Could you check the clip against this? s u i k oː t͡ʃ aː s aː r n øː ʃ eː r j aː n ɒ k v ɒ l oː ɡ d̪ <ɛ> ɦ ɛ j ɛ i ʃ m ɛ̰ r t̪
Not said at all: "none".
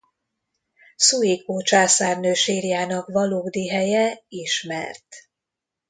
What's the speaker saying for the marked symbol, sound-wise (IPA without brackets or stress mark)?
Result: i